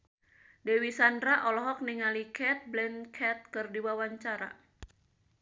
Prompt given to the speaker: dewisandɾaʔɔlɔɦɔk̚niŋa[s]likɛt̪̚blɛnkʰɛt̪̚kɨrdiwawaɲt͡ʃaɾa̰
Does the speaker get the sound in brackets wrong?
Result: yes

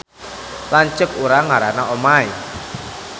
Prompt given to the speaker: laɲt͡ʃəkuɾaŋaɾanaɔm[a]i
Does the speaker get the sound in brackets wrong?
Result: no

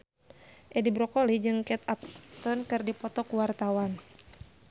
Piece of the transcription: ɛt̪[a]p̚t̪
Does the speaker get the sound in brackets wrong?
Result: no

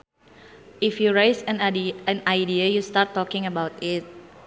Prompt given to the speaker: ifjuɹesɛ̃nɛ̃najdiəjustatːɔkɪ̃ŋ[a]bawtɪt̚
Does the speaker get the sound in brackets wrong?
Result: yes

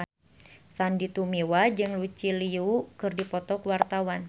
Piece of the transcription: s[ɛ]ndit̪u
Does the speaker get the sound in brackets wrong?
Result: yes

